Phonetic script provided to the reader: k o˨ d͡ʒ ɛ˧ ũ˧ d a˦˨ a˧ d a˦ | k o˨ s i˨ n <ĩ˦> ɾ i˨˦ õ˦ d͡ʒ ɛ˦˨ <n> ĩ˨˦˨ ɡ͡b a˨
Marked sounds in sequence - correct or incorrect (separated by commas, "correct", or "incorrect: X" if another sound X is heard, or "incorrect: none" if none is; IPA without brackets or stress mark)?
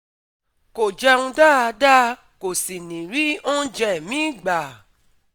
incorrect: ĩ˨, incorrect: m